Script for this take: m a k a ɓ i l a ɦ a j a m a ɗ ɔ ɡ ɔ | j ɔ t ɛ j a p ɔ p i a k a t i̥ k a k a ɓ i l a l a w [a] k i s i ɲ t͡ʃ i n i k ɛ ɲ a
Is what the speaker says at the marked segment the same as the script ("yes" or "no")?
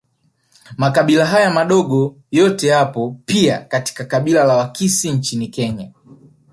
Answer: yes